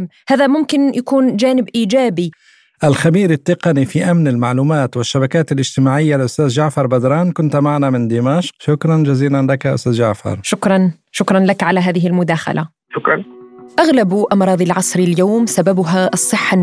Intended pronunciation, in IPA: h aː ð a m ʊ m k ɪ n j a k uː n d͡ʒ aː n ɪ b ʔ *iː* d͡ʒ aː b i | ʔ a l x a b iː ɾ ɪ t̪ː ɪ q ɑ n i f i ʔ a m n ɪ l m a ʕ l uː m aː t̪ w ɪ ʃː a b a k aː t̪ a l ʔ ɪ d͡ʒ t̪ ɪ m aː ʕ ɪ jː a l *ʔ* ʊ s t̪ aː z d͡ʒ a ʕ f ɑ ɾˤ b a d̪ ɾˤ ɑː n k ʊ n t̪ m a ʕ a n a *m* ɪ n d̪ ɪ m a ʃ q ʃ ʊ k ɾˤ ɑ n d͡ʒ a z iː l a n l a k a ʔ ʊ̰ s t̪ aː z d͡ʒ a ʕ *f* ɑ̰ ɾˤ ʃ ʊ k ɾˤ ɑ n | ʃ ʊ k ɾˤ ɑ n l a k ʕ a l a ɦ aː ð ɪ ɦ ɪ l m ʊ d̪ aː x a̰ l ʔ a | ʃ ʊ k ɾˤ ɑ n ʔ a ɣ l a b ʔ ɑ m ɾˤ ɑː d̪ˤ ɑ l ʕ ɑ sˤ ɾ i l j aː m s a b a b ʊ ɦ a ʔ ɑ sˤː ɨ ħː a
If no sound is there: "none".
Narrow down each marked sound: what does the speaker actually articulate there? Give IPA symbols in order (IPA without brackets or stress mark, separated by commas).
iː, ʔ, m, f